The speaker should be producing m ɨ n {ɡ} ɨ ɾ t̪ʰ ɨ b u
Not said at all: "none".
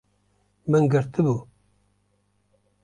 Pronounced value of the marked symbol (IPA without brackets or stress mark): ɡ